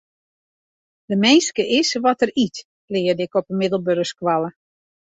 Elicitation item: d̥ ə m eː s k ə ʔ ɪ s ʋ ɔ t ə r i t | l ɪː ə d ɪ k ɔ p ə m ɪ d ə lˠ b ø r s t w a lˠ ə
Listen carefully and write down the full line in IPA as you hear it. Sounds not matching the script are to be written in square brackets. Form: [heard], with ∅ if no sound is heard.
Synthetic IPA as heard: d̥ ə m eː s k ə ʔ ɪ s ʋ ɔ t ə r i t | l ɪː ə d ɪ k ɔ p ə m ɪ d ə lˠ b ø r s [k] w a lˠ ə